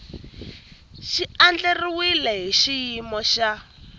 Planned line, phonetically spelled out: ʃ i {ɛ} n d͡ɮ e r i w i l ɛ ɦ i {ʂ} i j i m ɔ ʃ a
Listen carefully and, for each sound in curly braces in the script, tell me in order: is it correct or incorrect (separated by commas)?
incorrect, incorrect